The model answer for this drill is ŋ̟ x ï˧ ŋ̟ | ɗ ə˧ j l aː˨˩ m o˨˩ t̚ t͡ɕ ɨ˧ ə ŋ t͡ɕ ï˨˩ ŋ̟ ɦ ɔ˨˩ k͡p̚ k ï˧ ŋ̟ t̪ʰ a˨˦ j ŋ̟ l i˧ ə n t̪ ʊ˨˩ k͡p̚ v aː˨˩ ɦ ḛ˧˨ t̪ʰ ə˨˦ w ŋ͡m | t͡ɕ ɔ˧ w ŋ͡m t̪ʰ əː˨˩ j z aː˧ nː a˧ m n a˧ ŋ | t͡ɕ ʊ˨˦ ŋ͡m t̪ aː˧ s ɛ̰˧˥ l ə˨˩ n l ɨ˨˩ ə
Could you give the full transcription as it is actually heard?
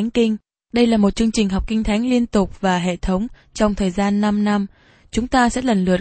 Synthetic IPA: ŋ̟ k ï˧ ŋ̟ | ɗ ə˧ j l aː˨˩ m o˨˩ t̚ t͡ɕ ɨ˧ ə ŋ t͡ɕ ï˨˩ ŋ̟ ɦ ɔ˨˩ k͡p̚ k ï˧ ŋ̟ t̪ʰ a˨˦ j ŋ̟ l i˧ ə n t̪ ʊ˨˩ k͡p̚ v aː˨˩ ɦ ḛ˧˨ t̪ʰ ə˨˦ w ŋ͡m | t͡ɕ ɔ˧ w ŋ͡m t̪ʰ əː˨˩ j z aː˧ nː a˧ m n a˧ m | t͡ɕ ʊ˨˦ ŋ͡m t̪ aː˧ s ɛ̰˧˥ l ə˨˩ n l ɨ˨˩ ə